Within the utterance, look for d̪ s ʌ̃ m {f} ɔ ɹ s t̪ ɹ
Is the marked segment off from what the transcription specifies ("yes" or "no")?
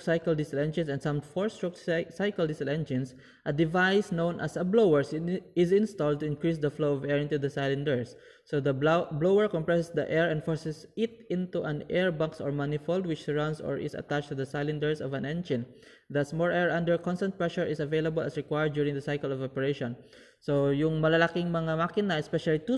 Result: no